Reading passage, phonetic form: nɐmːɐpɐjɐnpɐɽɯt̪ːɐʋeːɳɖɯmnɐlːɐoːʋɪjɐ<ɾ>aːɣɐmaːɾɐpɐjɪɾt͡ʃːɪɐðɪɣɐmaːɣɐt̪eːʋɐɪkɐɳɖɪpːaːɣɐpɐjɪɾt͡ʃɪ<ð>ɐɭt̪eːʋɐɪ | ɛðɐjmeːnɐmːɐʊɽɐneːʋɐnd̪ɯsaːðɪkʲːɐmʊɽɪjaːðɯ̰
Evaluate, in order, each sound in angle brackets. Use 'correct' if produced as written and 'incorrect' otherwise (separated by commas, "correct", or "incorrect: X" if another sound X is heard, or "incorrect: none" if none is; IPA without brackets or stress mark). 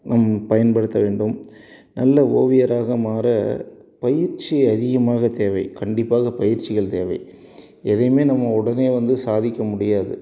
correct, incorrect: ɣ